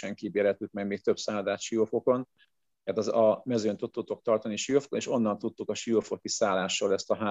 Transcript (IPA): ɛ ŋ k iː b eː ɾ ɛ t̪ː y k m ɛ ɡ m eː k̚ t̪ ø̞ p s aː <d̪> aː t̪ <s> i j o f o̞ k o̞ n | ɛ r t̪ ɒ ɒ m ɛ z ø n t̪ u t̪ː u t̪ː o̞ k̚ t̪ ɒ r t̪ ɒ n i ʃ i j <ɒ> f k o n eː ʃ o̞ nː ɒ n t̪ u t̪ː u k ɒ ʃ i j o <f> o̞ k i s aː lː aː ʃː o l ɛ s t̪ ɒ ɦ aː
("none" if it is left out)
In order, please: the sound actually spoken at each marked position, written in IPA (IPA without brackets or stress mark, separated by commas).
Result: d̪, ʃ, o, f